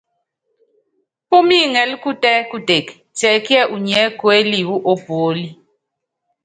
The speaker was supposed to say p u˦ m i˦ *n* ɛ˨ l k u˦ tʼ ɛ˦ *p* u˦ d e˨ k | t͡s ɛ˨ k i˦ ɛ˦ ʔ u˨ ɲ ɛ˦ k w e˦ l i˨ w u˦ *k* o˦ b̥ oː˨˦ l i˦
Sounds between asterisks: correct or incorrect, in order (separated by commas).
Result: incorrect, incorrect, incorrect